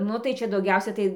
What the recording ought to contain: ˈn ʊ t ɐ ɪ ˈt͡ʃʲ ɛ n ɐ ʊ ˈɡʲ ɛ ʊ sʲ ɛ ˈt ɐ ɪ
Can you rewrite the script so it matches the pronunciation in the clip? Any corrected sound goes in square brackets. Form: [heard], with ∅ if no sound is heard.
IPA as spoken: ˈn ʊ t ɐ ɪ ˈt͡ʃʲ ɛ [d] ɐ ʊ ˈɡʲ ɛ ʊ sʲ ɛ ˈt ɐ ɪ